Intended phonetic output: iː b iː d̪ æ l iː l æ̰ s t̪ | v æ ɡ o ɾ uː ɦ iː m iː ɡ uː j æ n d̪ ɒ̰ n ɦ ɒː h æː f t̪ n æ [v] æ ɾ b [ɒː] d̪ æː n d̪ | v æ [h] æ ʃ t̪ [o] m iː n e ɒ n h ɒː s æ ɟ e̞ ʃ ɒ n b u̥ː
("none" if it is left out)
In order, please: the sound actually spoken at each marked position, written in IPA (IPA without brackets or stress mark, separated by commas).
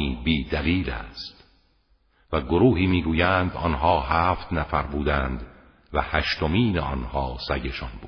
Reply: f, uː, h, o